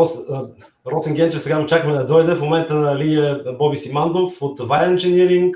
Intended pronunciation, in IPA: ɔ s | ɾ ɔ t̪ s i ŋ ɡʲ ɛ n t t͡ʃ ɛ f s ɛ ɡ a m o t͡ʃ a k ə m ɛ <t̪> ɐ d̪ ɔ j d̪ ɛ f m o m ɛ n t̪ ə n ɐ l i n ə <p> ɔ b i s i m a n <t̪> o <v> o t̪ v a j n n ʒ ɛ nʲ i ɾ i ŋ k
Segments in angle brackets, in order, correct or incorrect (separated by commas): incorrect, incorrect, incorrect, incorrect